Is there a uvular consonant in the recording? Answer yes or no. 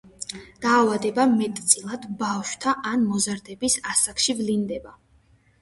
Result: no